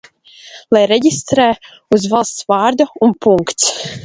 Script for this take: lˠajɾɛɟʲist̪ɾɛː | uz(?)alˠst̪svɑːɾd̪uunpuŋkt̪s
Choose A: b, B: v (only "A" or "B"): B